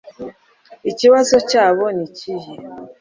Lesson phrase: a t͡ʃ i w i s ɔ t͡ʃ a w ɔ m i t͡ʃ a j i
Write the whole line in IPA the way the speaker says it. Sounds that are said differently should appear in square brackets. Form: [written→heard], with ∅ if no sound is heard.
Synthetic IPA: [a→i] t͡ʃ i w [i→a] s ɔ t͡ʃ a [w→β] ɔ [m→n] i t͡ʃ [a→i] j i